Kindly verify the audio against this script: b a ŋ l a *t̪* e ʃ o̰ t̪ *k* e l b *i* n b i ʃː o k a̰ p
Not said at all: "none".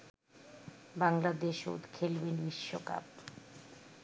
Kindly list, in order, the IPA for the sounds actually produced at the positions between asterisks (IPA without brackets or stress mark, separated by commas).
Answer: d̪, kʰ, e